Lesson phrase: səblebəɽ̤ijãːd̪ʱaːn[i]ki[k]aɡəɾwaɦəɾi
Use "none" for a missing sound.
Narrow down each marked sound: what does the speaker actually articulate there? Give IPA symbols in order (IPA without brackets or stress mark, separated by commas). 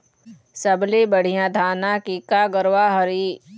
a, k